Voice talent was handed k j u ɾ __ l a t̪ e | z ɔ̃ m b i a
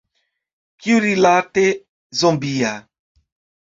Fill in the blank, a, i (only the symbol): i